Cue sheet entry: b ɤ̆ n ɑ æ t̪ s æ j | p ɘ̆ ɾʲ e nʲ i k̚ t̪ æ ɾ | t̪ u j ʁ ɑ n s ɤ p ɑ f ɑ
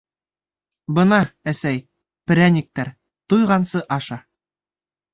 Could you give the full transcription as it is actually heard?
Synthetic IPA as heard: b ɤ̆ n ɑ æ s æ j | p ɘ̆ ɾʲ æ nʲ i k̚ t̪ æ ɾ | t̪ u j ʁ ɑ n s ɤ ʔ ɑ ʃ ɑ